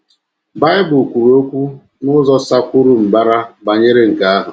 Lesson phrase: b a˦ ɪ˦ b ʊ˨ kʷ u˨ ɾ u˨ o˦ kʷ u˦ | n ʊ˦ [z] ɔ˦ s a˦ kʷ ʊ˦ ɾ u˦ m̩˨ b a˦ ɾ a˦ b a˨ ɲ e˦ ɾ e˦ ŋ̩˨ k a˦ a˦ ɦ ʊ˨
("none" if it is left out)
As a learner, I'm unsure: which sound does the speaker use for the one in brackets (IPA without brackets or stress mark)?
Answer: z